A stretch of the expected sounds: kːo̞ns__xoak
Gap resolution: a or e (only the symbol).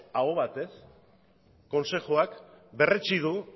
e